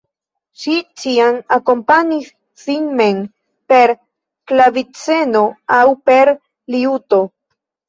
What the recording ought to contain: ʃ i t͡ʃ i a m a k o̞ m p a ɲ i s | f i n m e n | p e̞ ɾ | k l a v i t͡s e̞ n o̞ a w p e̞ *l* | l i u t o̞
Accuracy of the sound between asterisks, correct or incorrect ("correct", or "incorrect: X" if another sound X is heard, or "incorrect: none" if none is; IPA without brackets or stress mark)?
incorrect: ɾ